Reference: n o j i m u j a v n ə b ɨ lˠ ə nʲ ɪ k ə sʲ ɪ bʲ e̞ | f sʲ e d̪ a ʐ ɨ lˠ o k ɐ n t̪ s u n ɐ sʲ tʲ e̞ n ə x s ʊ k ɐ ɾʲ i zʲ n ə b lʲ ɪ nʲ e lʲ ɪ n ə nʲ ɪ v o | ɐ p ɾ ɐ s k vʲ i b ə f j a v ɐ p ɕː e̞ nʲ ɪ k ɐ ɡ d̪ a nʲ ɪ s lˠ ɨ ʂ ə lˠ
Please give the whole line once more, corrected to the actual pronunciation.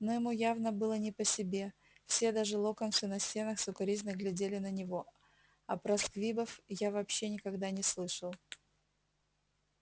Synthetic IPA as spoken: n o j ɪ m u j a v n ə b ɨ lˠ ə nʲ ɪ p ə sʲ ɪ bʲ e̞ | f sʲ e d̪ a ʐ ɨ lˠ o k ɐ n t̪ s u n ɐ sʲ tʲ e̞ n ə x s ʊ k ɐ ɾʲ i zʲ n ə ɡ lʲ ɪ dʲ e lʲ ɪ n ə nʲ ɪ v o | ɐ p ɾ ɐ s k vʲ i b ə f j a v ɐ p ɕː e̞ nʲ ɪ k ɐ ɡ d̪ a nʲ ɪ s lˠ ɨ ʂ ə lˠ

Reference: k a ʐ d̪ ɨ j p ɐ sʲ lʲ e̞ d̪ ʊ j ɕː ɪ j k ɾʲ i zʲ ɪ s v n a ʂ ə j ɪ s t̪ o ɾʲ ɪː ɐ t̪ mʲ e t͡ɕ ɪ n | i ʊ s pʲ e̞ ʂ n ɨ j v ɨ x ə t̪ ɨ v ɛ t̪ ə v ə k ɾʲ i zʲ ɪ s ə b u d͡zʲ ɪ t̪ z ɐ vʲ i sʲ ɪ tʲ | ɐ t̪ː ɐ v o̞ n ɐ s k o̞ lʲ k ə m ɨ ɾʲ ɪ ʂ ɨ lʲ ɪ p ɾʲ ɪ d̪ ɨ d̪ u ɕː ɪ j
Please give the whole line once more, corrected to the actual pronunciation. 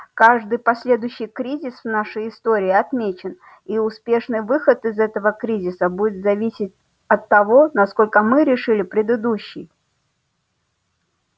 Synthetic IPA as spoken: k a ʐ d̪ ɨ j p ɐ sʲ lʲ e̞ d̪ ʊ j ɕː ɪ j k ɾʲ i zʲ ɪ s v n a ʂ ə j ɪ s t̪ o ɾʲ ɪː ɐ t̪ mʲ e t͡ɕ ɪ n | i ʊ s pʲ e̞ ʂ n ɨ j v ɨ x ə t̪ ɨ z ɛ t̪ ə v ə k ɾʲ i zʲ ɪ s ə b u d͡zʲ ɪ t̪ z ɐ vʲ i sʲ ɪ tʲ | ɐ t̪ː ɐ v o̞ n ɐ s k o̞ lʲ k ə m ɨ ɾʲ ɪ ʂ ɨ lʲ ɪ p ɾʲ ɪ d̪ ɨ d̪ u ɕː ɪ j

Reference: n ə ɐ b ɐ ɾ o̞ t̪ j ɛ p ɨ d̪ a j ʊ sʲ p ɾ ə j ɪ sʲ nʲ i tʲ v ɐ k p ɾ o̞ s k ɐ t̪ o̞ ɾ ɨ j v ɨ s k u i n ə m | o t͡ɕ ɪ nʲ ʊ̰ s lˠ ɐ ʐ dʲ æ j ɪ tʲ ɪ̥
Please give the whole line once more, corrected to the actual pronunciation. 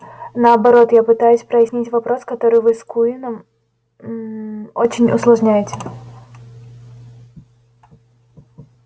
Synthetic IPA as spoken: n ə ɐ b ɐ ɾ o̞ t̪ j a p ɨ t̪ a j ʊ sʲ p ɾ ə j ɪ sʲ nʲ i tʲ v ɐ p ɾ o̞ s k ɐ t̪ o̞ ɾ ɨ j v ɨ s k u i n ə m | o t͡ɕ ɪ nʲ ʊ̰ s lˠ ɐ ʐ nʲ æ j ɪ tʲ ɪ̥

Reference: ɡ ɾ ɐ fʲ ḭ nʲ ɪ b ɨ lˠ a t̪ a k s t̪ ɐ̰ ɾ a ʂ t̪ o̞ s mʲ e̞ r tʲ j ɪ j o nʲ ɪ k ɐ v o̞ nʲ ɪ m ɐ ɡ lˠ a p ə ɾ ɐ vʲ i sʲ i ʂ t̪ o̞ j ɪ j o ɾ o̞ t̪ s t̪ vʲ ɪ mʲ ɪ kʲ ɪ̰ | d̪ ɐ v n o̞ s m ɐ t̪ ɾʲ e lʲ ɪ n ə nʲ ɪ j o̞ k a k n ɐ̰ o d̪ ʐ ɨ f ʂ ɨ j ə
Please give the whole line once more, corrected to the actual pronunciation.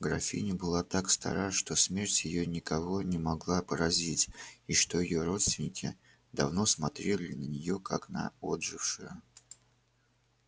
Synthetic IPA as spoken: ɡ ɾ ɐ fʲ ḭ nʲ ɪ b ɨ lˠ a t̪ a k s t̪ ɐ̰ ɾ a ʂ t̪ o̞ s mʲ e̞ r tʲ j ɪ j o nʲ ɪ k ɐ v o̞ nʲ ɪ m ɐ ɡ lˠ a p ə ɾ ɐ zʲ i tʲ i ʂ t̪ o̞ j ɪ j o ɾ o̞ t̪ s t̪ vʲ ɪ nʲ ɪ kʲ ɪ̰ | d̪ ɐ v n o̞ s m ɐ t̪ ɾʲ e lʲ ɪ n ə nʲ ɪ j o̞ k a k n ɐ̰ o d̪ ʐ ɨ f ʂ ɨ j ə

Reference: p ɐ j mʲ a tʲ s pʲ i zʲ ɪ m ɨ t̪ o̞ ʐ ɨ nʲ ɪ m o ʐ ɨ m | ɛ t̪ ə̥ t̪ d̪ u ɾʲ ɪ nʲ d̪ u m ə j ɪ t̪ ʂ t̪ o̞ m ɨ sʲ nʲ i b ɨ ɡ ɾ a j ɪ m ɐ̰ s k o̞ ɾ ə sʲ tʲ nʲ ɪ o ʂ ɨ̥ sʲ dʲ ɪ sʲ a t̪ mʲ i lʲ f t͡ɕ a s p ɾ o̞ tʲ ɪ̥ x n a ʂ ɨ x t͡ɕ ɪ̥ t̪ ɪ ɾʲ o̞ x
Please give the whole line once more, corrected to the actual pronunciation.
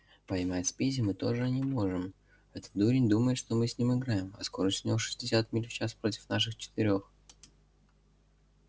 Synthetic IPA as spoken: p ɐ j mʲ a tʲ s pʲ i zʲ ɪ m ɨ t̪ o̞ ʐ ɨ nʲ ɪ m o ʐ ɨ m | ɛ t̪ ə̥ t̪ d̪ u ɾʲ ɪ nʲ d̪ u m ə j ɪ t̪ ʂ t̪ o̞ m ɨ sʲ nʲ i m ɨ ɡ ɾ a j ɪ m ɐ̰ s k o̞ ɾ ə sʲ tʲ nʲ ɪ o ʂ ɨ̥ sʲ dʲ ɪ sʲ a t̪ mʲ i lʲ f t͡ɕ a s p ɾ o̞ tʲ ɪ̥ f n a ʂ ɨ x t͡ɕ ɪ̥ t̪ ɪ ɾʲ o̞ x

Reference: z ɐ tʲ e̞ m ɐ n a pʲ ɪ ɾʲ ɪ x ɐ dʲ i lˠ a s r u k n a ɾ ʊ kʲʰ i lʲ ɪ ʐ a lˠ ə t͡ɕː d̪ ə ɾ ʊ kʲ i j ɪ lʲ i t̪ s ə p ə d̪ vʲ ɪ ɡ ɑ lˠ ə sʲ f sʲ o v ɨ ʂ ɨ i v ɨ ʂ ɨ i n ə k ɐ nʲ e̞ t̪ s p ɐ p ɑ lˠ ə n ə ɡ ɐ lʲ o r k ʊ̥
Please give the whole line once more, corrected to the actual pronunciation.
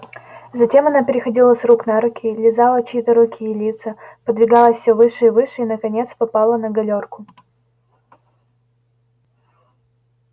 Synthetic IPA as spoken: z ɐ tʲ e̞ m ɐ n a pʲ ɪ ɾʲ ɪ x ɐ dʲ i lˠ ə s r u k n a ɾ ʊ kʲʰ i lʲ ɪ z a lˠ ə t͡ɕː t̪ ə ɾ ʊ kʲ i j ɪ lʲ i t̪ s ə p ə d̪ vʲ ɪ ɡ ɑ lˠ ə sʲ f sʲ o v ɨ ʂ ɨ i v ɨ ʂ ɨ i n ə k ɐ nʲ e̞ t̪ s p ɐ p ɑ lˠ ə n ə ɡ ɐ lʲ o r k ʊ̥

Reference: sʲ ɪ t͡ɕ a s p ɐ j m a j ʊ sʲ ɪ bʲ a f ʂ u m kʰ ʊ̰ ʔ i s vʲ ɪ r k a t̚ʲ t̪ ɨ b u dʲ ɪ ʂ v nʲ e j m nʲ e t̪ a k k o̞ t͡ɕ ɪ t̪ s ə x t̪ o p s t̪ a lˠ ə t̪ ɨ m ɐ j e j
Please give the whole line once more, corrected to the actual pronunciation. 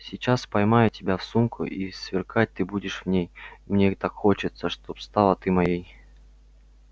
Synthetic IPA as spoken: sʲ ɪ t͡ɕ a s p ɐ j m a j ʊ tʲ ɪ bʲ a f s u m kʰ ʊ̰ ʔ i s vʲ ɪ r k a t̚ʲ t̪ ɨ b u dʲ ɪ ʂ v nʲ e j m nʲ e t̪ a k x o̞ t͡ɕ ɪ t̪ s ə ʂ t̪ o p s t̪ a lˠ ə t̪ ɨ m ɐ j e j

